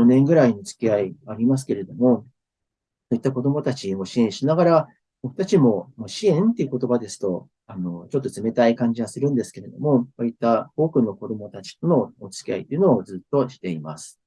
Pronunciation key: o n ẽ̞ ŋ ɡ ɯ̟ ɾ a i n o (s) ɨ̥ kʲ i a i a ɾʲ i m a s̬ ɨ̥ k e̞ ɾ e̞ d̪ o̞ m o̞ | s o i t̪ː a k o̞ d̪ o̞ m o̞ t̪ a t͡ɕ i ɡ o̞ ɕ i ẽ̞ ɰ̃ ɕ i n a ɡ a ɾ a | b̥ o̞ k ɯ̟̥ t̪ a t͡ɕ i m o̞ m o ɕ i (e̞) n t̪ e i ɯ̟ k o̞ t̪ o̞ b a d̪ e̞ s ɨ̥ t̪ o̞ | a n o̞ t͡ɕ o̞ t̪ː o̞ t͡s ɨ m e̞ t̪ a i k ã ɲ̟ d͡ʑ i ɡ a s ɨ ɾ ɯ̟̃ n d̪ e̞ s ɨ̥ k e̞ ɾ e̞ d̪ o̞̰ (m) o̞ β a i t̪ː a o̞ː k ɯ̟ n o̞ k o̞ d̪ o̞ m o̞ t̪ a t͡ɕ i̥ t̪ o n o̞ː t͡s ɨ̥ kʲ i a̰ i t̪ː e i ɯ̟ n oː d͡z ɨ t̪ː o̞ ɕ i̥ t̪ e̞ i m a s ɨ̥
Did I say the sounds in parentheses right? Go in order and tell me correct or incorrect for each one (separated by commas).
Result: incorrect, incorrect, correct